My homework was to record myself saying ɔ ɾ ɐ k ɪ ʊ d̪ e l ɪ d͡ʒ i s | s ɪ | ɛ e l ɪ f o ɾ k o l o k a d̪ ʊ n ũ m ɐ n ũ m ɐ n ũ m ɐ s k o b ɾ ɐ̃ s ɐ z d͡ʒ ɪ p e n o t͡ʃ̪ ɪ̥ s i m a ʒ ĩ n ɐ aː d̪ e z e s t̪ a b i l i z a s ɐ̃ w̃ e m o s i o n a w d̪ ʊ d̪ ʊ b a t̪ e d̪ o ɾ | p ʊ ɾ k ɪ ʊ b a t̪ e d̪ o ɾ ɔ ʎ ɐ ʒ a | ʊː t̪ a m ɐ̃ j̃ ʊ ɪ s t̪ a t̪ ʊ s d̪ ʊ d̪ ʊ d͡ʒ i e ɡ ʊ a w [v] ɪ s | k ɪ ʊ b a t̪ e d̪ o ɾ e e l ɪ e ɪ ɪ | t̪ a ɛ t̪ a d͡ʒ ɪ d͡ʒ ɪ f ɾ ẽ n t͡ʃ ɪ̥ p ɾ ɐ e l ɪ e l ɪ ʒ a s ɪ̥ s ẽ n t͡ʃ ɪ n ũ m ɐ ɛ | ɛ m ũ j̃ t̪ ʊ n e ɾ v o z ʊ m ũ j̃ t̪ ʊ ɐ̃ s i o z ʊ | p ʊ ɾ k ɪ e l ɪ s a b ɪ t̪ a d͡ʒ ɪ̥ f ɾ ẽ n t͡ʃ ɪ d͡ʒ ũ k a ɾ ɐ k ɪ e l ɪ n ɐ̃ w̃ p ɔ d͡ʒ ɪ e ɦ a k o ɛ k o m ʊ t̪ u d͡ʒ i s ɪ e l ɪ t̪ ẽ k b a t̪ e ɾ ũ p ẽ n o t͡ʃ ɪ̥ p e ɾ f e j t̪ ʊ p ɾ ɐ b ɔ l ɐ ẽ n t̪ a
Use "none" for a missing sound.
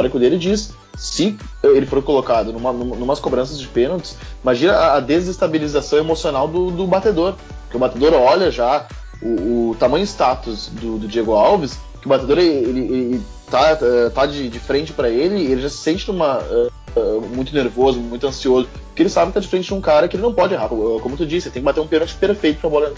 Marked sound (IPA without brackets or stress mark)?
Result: v